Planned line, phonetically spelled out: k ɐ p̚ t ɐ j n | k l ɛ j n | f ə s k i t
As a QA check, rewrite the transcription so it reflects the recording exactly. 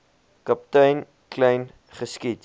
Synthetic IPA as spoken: k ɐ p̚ t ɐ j n | k l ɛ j n | χ ə s k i t